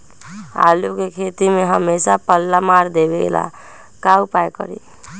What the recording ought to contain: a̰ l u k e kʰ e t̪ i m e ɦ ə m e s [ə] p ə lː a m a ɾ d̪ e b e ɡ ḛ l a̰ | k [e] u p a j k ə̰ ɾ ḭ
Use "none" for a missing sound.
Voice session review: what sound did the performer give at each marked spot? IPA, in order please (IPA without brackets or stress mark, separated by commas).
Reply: a, a